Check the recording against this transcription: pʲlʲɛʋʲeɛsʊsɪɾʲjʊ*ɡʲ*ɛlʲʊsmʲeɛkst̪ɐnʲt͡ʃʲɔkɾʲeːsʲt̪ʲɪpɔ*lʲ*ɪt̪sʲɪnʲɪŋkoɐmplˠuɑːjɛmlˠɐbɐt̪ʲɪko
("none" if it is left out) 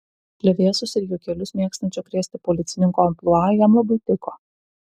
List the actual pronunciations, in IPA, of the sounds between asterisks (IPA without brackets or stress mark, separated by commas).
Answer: kʲ, lʲ